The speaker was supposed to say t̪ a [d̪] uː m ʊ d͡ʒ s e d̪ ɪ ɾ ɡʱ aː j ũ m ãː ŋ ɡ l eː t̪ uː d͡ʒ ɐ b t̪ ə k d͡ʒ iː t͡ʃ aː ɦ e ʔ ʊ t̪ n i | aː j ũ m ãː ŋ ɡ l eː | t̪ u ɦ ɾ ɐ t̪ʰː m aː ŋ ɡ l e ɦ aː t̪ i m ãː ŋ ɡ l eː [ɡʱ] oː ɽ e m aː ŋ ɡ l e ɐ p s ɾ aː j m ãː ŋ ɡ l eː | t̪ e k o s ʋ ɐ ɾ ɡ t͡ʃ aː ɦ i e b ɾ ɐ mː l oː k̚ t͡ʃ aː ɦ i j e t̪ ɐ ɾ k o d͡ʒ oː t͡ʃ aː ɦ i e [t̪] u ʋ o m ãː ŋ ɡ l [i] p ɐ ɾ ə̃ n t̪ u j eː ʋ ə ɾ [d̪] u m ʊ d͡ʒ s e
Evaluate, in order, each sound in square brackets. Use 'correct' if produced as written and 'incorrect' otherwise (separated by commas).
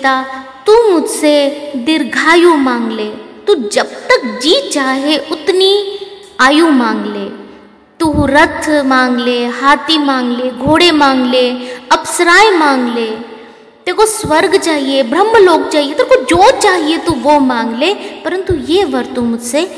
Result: incorrect, correct, correct, incorrect, incorrect